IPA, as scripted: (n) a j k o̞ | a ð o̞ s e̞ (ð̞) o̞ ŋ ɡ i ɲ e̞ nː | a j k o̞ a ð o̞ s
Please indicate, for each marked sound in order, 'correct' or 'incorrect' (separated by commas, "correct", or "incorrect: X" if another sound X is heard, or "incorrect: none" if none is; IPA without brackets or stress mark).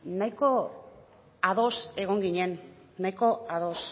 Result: correct, incorrect: ɣ̞